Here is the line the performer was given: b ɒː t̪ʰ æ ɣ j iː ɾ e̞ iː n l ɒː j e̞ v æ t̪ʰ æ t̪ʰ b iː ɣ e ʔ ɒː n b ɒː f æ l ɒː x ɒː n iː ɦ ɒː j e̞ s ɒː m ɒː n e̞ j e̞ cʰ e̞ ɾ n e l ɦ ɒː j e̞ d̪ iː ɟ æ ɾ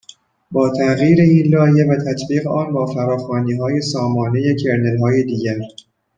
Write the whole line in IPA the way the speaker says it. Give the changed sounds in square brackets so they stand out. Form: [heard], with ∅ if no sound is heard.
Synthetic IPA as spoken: b ɒː t̪ʰ æ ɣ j iː ɾ e̞ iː n l ɒː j e̞ v æ t̪ʰ æ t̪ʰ b iː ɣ e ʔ ɒː n b ɒː f æ [ɾ] ɒː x ɒː n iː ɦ ɒː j e̞ s ɒː m ɒː n e̞ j e̞ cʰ e̞ ɾ n e l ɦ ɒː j e̞ d̪ iː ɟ æ ɾ